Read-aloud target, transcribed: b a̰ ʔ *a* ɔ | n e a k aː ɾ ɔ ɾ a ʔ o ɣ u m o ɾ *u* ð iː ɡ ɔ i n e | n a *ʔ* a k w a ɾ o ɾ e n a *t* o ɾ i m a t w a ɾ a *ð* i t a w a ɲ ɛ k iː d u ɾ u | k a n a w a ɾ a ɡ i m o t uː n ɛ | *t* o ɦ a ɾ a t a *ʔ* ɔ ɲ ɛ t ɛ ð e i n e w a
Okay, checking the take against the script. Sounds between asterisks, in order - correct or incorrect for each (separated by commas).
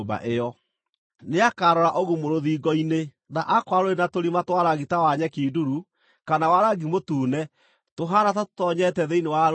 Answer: incorrect, incorrect, correct, correct, incorrect, correct, incorrect